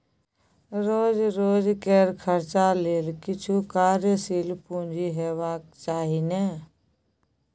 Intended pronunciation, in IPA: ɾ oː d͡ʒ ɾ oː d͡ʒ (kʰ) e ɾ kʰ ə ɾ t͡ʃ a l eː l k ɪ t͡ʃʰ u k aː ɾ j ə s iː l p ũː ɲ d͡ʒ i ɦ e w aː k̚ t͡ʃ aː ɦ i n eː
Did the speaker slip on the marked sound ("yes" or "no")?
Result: yes